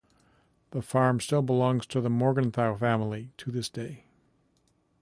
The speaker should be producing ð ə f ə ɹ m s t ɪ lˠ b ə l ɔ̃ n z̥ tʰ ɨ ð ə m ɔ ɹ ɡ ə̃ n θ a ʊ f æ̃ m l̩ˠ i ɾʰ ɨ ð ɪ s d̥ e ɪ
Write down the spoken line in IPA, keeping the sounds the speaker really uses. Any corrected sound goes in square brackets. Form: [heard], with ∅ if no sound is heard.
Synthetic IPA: ð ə f [ɑ] ɹ m s t ɪ lˠ b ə l ɔ̃ [ŋ] z̥ tʰ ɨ ð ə m ɔ ɹ ɡ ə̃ n θ a ʊ f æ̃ m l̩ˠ i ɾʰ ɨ ð ɪ s d̥ e ɪ